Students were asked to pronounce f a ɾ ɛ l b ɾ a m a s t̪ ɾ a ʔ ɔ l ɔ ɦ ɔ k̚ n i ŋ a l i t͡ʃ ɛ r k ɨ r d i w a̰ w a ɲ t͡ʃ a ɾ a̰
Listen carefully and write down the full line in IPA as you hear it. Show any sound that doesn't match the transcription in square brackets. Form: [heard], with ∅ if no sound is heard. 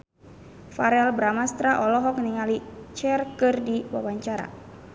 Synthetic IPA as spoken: f a ɾ ɛ l b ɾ a m a s t̪ ɾ a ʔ ɔ l ɔ ɦ ɔ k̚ n i ŋ a l i t͡ʃ ɛ r k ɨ r d i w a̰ w a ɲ t͡ʃ a ɾ a̰